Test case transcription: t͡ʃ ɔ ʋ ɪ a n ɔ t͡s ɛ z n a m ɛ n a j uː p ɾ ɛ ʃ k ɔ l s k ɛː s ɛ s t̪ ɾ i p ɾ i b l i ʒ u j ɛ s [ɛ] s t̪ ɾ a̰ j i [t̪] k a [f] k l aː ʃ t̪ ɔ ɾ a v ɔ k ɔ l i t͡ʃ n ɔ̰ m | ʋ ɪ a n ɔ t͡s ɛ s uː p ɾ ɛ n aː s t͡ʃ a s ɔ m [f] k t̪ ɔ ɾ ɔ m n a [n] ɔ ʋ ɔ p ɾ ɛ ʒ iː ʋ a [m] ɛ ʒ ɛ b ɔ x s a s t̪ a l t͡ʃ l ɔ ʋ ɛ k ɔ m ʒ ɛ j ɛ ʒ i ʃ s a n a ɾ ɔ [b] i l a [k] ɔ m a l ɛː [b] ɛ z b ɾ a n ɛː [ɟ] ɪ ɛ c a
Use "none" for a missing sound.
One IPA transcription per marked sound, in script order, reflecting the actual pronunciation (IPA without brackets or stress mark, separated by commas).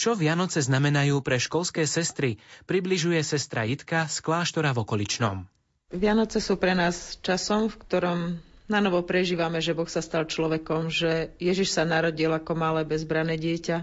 ɛ, t̪, s, f, n, m, ɟ, k, b, ɟ